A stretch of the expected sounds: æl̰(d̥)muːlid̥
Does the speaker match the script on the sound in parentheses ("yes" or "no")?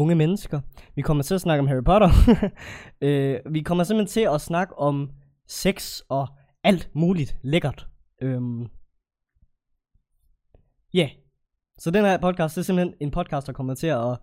yes